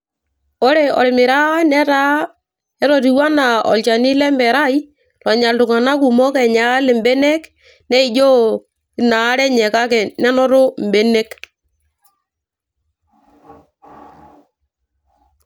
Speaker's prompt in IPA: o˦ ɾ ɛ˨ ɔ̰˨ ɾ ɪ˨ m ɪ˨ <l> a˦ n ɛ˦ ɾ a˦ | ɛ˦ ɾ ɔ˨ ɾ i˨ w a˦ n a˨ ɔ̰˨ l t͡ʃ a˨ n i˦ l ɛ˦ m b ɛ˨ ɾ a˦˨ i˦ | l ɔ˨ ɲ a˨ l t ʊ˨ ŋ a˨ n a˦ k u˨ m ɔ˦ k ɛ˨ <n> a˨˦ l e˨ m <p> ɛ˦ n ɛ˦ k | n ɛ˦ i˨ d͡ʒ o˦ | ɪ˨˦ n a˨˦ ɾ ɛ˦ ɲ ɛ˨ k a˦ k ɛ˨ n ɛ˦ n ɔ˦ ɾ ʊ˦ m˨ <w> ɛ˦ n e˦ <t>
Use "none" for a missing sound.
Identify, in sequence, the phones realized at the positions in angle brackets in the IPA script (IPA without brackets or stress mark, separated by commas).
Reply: ɾ, ɲ, b, b, k